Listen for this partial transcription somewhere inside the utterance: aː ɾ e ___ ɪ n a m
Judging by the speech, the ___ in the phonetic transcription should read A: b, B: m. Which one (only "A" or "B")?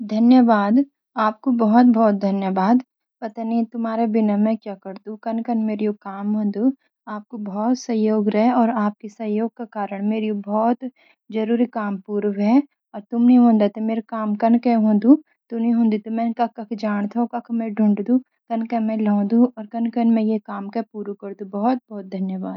A